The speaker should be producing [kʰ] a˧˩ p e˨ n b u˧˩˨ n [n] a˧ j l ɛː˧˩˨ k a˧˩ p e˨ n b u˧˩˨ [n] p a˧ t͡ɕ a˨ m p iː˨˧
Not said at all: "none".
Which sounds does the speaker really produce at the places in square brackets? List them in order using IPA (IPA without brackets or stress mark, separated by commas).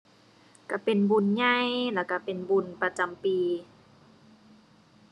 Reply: k, ɲ, n